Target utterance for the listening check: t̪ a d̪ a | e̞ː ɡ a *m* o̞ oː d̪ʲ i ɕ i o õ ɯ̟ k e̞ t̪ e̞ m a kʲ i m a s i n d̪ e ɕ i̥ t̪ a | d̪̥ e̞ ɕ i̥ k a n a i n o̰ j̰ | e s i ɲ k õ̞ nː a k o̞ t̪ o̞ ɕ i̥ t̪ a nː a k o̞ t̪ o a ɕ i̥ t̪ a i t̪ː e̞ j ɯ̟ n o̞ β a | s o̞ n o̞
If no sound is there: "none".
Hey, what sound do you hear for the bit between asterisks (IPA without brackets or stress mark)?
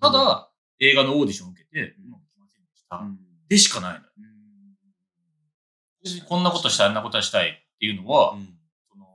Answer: n